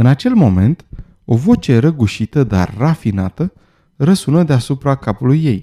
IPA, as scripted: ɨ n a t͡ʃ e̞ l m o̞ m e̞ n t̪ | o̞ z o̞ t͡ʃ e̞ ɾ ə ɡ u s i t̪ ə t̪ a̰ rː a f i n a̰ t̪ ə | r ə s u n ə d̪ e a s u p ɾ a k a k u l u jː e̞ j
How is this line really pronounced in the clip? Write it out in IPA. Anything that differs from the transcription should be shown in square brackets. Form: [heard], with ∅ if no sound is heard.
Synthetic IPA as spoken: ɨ n a t͡ʃ e̞ l m o̞ m e̞ n t̪ | o̞ [v] o̞ t͡ʃ e̞ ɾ ə ɡ u [ʃ] i t̪ ə [d̪] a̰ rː a f i n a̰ t̪ ə | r ə s u n ə d̪ e a s u p ɾ a k a [p] u l u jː e̞ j